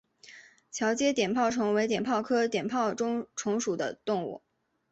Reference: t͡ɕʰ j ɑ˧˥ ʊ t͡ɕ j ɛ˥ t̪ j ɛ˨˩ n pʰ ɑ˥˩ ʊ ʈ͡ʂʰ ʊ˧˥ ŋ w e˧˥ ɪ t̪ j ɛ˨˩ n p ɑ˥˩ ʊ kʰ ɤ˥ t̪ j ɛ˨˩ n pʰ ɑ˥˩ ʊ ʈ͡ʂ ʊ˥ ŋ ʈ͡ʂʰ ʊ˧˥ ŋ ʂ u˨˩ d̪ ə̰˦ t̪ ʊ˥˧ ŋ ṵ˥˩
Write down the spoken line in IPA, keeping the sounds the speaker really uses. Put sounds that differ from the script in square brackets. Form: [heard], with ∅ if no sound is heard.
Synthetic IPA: t͡ɕʰ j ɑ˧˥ ʊ t͡ɕ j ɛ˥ t̪ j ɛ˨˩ n pʰ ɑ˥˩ ʊ ʈ͡ʂʰ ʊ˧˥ ŋ w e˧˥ ɪ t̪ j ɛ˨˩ n [pʰ] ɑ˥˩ ʊ kʰ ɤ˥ t̪ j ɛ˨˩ n pʰ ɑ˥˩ ʊ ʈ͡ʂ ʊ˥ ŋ ʈ͡ʂʰ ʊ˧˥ ŋ ʂ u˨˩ d̪ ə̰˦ t̪ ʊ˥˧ ŋ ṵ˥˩